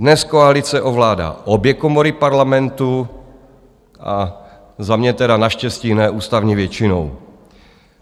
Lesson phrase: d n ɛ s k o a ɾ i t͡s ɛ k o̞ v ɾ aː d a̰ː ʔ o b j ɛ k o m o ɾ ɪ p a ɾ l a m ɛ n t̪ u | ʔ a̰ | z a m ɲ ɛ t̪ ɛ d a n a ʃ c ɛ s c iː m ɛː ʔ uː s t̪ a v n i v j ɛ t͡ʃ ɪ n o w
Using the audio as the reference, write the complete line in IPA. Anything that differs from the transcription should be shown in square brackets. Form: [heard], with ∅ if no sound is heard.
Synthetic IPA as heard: d n ɛ s k o a [l] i t͡s ɛ [ʔ] o̞ v [l] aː d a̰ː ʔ o b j ɛ k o m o ɾ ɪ p a ɾ l a m ɛ n t̪ u | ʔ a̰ | z a m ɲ ɛ t̪ ɛ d a n a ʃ c ɛ s c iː [n] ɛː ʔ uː s t̪ a v [ɲ] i v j ɛ t͡ʃ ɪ n o w